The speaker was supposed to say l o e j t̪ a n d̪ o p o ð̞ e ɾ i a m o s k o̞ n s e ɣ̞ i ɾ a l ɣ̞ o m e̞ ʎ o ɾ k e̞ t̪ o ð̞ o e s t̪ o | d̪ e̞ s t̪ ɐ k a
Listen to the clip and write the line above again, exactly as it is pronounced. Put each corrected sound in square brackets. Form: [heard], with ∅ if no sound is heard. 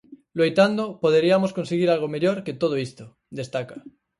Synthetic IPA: l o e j t̪ a n d̪ o p o ð̞ e ɾ i a m o s k o̞ n s e ɣ̞ i ɾ a l ɣ̞ o m e̞ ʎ o ɾ k e̞ t̪ o ð̞ o [i] s t̪ o | d̪ e̞ s t̪ [a] k a